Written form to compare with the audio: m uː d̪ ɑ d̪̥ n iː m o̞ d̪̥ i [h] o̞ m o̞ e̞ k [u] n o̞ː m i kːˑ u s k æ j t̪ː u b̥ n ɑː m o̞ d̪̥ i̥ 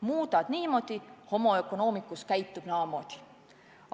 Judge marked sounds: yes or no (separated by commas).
yes, no